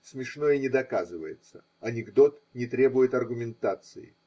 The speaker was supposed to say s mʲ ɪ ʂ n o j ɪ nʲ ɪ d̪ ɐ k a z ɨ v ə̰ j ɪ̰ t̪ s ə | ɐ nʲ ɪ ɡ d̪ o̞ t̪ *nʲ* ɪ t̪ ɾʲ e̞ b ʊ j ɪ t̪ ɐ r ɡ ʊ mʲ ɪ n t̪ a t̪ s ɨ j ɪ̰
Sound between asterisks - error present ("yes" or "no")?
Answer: no